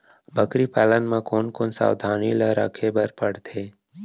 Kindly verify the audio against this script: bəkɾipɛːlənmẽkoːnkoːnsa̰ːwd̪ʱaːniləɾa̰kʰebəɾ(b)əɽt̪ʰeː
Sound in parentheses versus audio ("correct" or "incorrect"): incorrect